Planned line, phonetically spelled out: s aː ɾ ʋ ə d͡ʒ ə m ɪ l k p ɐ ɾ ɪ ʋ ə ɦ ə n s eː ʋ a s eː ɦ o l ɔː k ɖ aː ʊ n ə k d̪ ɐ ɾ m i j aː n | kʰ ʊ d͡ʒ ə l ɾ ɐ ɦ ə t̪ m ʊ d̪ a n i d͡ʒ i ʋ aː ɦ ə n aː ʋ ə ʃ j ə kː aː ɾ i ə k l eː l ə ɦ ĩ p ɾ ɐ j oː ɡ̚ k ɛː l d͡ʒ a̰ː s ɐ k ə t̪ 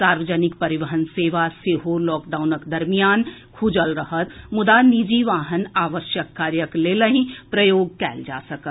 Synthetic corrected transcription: s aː ɾ ʋ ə d͡ʒ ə n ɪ k p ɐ ɾ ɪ ʋ ə ɦ ə n s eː ʋ a s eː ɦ o l ɔː k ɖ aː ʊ n ə k d̪ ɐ ɾ m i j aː n | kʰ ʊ d͡ʒ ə l ɾ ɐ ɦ ə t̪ m ʊ d̪ a n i d͡ʒ i ʋ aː ɦ ə n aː ʋ ə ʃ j ə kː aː ɾ j ə k l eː l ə ɦ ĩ p ɾ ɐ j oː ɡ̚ k ɛː l d͡ʒ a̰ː s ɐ k ə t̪